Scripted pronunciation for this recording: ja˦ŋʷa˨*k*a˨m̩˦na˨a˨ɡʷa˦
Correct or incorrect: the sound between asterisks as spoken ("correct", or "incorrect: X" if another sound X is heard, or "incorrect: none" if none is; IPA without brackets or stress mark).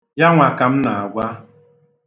correct